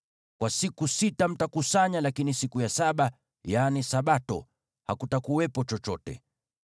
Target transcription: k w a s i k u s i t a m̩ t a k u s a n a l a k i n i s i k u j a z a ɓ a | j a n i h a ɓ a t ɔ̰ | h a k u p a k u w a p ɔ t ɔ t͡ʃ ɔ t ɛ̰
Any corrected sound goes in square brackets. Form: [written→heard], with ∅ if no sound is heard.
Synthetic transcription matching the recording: k w a s i k u s i t a m̩ t a k u s a [n→ɲ] a l a k i n i s i k u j a [z→s] a ɓ a | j a n i [h→s] a ɓ a t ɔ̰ | h a k u [p→t] a k u w [a→ɛ] p ɔ [t→t͡ʃ] ɔ t͡ʃ ɔ t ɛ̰